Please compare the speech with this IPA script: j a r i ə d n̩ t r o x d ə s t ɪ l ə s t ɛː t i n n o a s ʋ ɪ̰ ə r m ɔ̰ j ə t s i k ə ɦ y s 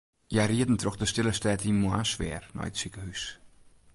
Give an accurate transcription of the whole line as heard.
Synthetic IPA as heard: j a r i ə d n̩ t r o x d ə s t ɪ l ə s t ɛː t i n m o a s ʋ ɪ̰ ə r n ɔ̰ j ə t s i k ə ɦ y s